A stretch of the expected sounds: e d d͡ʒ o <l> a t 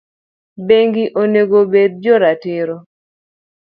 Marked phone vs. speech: incorrect: ɾ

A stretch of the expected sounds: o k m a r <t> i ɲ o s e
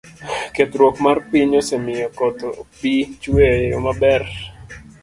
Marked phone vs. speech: incorrect: p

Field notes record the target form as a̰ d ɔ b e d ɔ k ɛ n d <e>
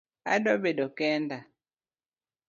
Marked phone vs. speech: incorrect: a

